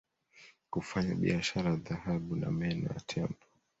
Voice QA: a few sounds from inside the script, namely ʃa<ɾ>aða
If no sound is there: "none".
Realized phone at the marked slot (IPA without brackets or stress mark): ɾ